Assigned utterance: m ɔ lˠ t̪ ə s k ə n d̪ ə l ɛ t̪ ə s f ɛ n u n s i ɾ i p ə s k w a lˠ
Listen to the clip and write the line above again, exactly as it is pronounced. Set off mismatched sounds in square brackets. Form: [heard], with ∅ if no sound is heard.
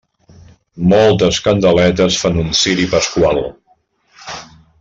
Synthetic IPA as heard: m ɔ lˠ t̪ ə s k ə n d̪ ə l ɛ t̪ ə s f [a] n u n s i ɾ i p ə s k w a lˠ